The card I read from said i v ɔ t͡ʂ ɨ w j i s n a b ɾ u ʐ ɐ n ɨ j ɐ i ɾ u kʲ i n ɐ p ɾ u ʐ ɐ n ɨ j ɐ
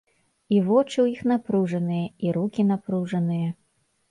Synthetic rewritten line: i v ɔ t͡ʂ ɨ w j i x n a p ɾ u ʐ ɐ n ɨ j ɐ i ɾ u kʲ i n a p ɾ u ʐ ɐ n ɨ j ɐ